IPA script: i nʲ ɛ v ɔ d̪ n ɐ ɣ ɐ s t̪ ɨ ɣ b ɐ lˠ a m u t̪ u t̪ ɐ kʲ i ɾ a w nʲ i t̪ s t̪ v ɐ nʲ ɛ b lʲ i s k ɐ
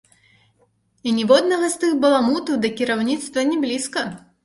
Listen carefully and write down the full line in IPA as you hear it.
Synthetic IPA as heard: i nʲ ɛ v ɔ d̪ n ɐ ɣ ɐ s t̪ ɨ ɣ b ɐ lˠ a m u t̪ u d̪ ɐ kʲ i ɾ a w nʲ i t̪ s t̪ v ɐ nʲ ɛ b lʲ i s k ɐ